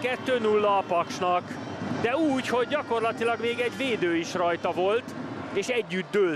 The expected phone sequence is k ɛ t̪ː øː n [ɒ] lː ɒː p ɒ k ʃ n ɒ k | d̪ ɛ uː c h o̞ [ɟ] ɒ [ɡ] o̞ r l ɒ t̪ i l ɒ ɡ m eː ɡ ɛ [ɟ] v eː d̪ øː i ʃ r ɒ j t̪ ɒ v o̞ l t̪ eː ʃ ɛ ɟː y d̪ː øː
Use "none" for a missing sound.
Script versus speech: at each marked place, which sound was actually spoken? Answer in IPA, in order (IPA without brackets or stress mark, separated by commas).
u, ɟː, k, ɟ